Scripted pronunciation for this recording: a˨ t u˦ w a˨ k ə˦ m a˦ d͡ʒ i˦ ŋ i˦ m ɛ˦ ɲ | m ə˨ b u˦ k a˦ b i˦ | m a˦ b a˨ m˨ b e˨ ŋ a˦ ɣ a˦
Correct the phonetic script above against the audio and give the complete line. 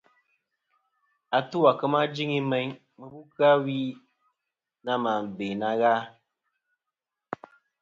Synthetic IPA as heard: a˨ t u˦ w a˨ k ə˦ m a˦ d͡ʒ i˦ ŋ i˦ m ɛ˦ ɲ | m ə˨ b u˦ k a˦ w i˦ | n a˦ m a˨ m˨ b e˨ n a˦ ɣ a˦